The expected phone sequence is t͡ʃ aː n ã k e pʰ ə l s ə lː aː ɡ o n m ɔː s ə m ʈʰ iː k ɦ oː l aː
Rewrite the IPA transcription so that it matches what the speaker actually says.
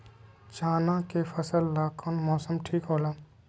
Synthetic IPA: t͡ʃ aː n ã k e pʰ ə s ə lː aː k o n m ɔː s ə m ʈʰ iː k ɦ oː l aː